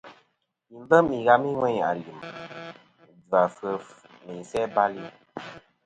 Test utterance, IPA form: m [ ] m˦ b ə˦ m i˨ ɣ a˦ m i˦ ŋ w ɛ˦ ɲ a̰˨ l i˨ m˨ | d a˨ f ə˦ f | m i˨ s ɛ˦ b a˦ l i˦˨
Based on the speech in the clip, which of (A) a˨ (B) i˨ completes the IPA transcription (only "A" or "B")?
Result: B